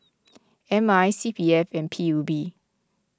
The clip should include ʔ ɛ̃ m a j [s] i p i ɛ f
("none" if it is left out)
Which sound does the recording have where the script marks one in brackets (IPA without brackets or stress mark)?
s